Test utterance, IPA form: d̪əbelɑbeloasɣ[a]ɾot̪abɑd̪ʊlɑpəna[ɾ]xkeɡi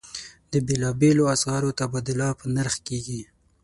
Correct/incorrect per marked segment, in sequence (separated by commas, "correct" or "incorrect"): incorrect, correct